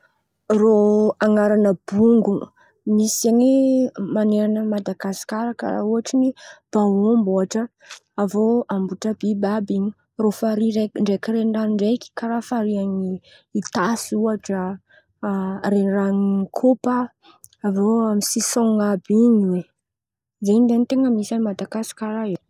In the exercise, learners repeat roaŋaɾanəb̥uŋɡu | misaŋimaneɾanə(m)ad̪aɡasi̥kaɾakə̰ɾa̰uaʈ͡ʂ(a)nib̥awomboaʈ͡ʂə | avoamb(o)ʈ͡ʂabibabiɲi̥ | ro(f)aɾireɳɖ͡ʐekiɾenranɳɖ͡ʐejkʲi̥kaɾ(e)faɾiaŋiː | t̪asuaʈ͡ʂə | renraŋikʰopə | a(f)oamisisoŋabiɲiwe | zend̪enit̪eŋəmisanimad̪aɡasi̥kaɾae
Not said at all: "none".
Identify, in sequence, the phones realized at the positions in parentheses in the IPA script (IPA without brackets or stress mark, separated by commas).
m, i, u, f, a, v